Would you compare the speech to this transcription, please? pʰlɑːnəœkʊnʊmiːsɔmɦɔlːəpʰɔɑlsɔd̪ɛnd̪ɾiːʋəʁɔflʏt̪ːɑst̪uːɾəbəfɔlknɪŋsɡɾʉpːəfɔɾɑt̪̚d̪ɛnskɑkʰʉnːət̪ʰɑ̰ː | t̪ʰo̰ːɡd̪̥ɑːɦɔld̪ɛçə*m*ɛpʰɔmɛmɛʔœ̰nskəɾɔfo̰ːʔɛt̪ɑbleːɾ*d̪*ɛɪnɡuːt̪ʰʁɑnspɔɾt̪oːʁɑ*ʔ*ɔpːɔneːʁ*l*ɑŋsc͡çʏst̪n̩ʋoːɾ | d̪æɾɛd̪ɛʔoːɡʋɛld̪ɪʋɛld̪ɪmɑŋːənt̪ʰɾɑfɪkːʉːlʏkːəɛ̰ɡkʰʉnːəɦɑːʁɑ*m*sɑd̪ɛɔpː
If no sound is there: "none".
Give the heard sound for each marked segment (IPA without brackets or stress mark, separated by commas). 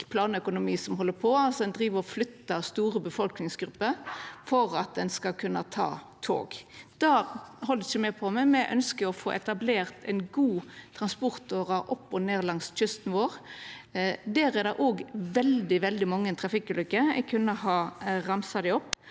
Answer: m, t̪, ʔ, l, m